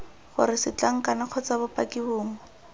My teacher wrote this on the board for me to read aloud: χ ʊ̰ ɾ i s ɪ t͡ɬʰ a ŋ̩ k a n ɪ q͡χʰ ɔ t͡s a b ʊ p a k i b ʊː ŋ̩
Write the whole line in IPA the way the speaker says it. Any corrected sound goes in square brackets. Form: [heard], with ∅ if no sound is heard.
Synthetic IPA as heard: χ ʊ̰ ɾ [ɪ] s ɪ [t͡ɬ] a ŋ̩ k a n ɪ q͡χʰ ɔ t͡s a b ʊ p a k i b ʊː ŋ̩

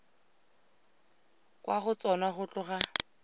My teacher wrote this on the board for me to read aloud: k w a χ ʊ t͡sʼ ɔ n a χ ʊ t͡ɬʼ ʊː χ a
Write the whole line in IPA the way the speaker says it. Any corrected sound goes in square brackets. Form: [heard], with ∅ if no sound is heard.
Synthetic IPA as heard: k w a χ ʊ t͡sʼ ɔ n a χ ʊ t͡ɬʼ [ʊ] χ a

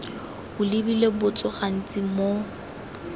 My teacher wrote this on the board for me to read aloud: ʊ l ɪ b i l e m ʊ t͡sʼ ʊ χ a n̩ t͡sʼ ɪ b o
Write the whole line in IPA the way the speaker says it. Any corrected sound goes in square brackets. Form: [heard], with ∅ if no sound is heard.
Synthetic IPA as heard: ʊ l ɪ b i l e [b] ʊ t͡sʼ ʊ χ a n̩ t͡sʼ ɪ [m] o

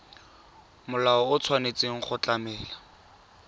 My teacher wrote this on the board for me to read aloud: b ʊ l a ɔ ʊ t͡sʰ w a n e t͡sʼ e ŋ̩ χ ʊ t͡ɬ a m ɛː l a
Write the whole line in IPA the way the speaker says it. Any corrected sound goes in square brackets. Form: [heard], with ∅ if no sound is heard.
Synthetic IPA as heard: [m] ʊ l a ɔ ʊ t͡sʰ w a n e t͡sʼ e ŋ̩ χ ʊ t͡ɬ a m ɛː l a

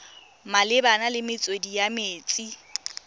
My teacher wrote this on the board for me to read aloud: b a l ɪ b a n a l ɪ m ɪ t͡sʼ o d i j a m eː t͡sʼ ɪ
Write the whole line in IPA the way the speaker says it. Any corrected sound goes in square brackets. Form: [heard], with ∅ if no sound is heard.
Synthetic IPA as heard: [m] a l ɪ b a n a l ɪ m ɪ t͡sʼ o d i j a m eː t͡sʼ [i]

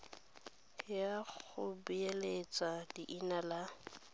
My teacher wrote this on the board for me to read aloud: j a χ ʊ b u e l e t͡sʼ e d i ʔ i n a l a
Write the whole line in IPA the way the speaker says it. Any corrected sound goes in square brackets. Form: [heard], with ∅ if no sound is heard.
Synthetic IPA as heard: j a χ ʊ b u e l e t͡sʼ [a] d i ʔ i n a l a

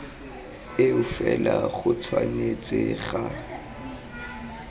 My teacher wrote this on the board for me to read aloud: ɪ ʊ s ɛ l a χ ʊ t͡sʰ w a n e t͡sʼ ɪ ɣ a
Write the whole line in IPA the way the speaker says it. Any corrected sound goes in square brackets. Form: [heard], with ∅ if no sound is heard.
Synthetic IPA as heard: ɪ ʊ [f] ɛ l a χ ʊ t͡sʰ w a n e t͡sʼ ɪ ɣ a

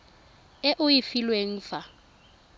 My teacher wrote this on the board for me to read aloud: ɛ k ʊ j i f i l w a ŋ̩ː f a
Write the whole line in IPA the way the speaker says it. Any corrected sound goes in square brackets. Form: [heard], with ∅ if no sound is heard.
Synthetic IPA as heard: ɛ [ʔ] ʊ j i f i l w [e] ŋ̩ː f a

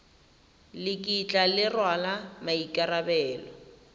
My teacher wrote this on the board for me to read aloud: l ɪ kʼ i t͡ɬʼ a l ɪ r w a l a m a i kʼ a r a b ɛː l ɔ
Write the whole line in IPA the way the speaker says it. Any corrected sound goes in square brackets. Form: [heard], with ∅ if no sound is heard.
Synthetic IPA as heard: l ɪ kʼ i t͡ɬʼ a l ɪ r w a l a m a i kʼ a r a b ɛː l ɔ

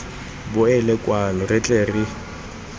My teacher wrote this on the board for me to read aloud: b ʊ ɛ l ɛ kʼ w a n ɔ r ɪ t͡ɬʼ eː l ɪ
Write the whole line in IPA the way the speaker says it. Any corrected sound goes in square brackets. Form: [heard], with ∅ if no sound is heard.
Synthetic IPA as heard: b ʊ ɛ l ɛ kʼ w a n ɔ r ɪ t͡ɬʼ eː [r] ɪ

